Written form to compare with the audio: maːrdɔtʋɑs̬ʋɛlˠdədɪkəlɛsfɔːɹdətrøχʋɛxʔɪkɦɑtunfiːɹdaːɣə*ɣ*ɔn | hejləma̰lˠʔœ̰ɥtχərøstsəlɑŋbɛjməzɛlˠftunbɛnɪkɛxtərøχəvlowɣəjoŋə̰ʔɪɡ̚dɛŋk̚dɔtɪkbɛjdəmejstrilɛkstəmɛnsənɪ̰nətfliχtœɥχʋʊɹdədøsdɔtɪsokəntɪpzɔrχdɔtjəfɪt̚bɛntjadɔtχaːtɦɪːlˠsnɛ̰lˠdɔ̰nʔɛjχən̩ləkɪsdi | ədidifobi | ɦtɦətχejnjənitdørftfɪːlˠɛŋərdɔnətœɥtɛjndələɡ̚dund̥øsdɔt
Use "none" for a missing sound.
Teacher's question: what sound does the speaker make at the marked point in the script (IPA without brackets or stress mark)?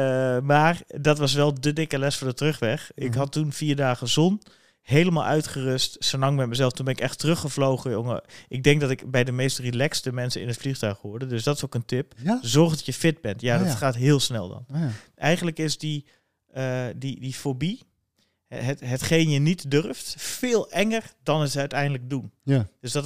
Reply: z